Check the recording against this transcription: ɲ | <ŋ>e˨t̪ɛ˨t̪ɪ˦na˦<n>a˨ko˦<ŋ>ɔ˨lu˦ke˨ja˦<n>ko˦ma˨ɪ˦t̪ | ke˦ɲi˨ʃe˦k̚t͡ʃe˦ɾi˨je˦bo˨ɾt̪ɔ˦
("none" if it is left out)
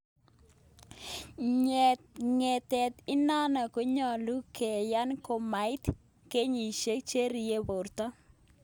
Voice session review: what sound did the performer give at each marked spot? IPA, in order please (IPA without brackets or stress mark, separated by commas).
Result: ŋ, n, ɲ, n